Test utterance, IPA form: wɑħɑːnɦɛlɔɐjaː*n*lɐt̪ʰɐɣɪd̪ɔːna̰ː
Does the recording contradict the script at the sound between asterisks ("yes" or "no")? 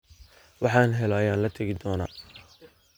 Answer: no